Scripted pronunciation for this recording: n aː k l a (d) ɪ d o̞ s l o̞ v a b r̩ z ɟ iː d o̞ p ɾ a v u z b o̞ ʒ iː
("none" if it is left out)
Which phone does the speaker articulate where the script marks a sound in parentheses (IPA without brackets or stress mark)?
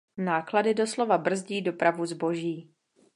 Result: d